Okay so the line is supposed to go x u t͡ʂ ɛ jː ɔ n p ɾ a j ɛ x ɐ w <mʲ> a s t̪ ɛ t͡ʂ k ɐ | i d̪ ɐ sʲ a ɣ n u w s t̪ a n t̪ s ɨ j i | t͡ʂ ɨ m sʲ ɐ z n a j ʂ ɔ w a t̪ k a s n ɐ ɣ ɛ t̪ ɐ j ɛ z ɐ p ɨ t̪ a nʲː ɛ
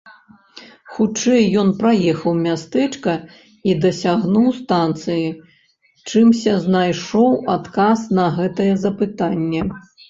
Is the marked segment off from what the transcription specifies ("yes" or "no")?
no